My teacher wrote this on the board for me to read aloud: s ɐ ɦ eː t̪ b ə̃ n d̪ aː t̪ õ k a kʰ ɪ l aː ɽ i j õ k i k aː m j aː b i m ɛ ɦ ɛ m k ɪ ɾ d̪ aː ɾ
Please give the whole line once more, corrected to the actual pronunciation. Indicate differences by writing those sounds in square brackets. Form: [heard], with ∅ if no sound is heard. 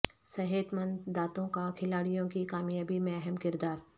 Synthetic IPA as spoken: s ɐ ɦ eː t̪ [m] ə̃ n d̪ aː t̪ õ k a kʰ ɪ l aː ɽ i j õ k i k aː m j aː b i m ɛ ɦ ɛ m k ɪ ɾ d̪ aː ɾ